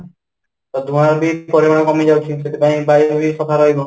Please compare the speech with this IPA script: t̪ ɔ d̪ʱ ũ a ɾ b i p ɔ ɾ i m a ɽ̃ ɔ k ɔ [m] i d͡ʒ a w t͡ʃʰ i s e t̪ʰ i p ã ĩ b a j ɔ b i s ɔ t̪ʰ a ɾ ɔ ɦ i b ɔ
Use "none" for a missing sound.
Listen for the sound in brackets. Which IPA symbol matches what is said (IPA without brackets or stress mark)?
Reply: m